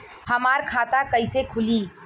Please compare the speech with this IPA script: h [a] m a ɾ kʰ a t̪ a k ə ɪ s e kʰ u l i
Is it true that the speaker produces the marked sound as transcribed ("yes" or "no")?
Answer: no